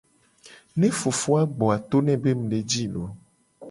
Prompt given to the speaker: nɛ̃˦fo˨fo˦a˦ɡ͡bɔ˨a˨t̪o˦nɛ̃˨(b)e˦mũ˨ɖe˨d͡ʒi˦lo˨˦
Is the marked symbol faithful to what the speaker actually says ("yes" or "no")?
yes